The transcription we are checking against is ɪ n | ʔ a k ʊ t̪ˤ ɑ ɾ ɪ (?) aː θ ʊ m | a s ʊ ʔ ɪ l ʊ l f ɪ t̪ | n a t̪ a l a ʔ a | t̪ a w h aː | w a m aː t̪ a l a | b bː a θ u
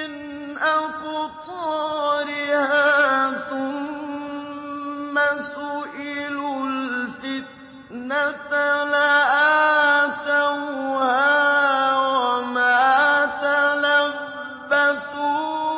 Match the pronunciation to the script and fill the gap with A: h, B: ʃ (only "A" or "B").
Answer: A